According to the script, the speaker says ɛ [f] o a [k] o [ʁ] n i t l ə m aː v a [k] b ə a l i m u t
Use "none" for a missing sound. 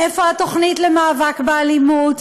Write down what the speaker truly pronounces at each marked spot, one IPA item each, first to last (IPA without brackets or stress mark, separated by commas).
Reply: f, t, χ, k